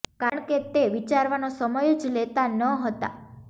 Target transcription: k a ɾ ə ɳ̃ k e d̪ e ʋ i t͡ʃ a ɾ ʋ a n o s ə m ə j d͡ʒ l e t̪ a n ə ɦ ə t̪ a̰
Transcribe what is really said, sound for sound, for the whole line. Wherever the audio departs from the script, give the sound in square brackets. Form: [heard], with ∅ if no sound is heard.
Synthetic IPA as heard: k a ɾ ə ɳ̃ k e [t̪] e ʋ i t͡ʃ a ɾ ʋ a n o s ə m ə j d͡ʒ l e t̪ a n ə ɦ ə t̪ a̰